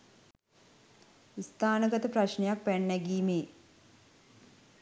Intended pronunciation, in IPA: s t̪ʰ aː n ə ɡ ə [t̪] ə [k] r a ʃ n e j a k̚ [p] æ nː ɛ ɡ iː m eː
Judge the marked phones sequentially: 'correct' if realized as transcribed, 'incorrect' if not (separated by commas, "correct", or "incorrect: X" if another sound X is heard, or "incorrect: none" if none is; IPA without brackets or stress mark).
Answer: correct, incorrect: p, correct